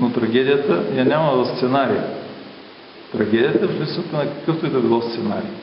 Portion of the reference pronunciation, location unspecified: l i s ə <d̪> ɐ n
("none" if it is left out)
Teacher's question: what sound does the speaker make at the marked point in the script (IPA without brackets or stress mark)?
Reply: t̪